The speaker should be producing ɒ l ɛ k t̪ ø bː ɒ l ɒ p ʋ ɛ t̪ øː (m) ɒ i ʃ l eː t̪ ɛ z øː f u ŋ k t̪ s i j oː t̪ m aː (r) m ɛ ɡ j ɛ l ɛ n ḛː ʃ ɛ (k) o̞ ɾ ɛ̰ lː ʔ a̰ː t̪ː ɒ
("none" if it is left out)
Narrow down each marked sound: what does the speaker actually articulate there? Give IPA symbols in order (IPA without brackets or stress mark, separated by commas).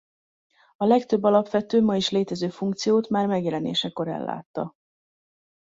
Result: m, r, k